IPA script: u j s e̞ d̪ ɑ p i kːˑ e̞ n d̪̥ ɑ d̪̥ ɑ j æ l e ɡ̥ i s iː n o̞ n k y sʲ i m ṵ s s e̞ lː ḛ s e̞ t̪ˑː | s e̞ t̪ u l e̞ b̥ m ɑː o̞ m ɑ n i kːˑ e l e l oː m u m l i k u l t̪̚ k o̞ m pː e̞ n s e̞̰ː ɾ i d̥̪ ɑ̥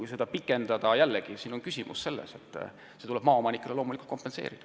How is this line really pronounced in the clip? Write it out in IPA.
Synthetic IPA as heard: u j s e̞ d̪ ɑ p i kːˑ e̞ n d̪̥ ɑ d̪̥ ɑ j æ lː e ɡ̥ i s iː n o̞ n k y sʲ i m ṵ s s e̞ lː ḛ s e̞ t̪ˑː | s e̞ t̪ u l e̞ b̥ m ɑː o̞ m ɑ n i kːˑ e l e l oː m u l i k u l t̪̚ k o̞ m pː e̞ n s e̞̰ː ɾ i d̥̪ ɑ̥